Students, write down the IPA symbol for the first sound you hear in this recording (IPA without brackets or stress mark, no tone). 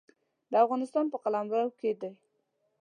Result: d̪